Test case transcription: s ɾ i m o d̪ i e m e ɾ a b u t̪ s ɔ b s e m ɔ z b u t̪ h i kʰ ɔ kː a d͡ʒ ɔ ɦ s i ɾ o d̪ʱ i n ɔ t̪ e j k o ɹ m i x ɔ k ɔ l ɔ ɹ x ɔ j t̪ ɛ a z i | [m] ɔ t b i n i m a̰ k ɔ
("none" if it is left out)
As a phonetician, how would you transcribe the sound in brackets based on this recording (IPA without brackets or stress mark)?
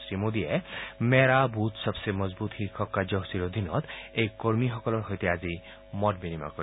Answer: m